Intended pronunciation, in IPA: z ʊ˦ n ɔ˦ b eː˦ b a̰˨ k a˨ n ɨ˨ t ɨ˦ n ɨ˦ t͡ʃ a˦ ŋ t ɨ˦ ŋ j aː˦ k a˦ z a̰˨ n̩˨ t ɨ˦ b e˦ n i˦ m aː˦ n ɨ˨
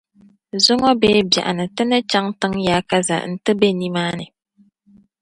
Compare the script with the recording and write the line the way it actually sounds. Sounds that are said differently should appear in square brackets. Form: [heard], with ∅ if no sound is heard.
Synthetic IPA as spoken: z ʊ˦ [ŋ] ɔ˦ b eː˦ b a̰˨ [ʔ] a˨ n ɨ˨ t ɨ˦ n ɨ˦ t͡ʃ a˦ ŋ t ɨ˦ ŋ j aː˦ k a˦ z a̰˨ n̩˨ t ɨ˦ b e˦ n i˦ m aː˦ n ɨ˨